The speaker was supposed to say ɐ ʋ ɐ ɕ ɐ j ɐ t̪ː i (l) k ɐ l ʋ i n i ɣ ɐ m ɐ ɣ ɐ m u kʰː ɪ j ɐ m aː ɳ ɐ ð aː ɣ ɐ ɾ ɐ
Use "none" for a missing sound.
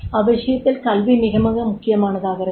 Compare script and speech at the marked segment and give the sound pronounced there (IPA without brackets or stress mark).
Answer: l